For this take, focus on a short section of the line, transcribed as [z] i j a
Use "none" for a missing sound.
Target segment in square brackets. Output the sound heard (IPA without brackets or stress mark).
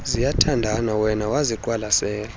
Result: z